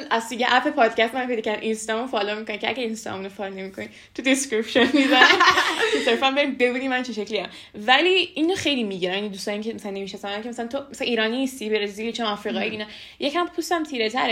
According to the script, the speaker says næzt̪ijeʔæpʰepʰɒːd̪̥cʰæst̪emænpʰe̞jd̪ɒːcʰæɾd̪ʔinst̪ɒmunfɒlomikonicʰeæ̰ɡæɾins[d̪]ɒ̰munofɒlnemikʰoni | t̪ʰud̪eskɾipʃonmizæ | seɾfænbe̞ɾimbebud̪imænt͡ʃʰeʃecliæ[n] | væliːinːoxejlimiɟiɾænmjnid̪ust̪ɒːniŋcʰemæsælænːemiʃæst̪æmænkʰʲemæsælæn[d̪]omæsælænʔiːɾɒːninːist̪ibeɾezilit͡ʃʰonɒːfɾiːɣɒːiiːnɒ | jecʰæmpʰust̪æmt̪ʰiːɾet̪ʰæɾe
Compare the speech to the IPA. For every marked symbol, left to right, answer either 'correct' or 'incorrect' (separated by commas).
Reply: incorrect, incorrect, incorrect